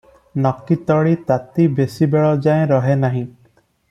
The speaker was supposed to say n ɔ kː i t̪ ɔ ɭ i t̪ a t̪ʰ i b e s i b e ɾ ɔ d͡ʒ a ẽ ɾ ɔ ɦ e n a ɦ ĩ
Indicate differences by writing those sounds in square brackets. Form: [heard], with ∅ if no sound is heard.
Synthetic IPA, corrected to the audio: n ɔ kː i t̪ ɔ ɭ i t̪ a [t̪] i b e s i b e [ɭ] ɔ d͡ʒ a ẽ ɾ ɔ ɦ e n a ɦ ĩ